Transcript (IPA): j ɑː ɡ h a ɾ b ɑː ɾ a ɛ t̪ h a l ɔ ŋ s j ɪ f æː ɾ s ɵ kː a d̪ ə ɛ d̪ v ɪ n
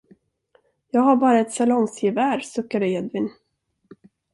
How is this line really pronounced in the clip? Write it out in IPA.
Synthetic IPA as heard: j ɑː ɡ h a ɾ b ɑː ɾ a ɛ t̪ s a l ɔ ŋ s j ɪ v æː ɾ s ɵ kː a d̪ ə ɛ d̪ v ɪ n